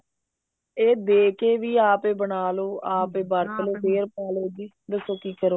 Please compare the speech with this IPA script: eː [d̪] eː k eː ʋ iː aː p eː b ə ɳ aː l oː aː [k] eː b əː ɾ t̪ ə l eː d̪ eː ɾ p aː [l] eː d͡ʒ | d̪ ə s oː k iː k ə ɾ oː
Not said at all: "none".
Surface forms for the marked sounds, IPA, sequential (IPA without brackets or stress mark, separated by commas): d̪, p, l